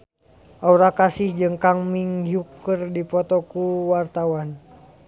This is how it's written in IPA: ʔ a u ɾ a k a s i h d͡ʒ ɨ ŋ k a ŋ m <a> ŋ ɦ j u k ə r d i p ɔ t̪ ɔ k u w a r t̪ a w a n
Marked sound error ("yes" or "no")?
yes